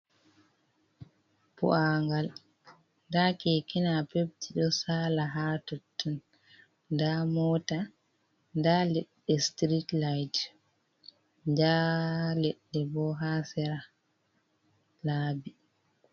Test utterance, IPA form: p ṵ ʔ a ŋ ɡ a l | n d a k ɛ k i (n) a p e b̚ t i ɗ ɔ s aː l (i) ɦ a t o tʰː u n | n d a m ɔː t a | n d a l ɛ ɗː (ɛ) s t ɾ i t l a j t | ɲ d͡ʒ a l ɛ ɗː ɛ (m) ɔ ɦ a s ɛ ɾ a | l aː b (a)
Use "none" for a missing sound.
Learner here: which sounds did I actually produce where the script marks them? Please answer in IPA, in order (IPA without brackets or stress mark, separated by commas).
n, a, ɛ, b, i